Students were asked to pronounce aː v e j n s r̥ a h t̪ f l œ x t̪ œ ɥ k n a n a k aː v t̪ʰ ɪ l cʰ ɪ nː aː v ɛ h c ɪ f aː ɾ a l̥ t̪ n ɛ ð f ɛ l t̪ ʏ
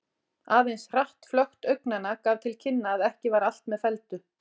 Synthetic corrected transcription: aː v e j n s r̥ a h t̪ f l œ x t̪ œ ɥ k n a n a k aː v t̪ʰ ɪ l cʰ ɪ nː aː ð ɛ h c ɪ v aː ɾ a l̥ t̪ m ɛ ð f ɛ l t̪ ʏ